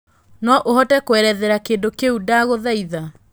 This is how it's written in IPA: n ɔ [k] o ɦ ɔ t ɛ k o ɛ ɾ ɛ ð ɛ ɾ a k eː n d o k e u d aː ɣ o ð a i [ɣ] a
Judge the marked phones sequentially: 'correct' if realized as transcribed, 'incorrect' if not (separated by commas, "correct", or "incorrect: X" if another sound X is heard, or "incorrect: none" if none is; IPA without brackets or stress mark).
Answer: incorrect: ʔ, incorrect: ð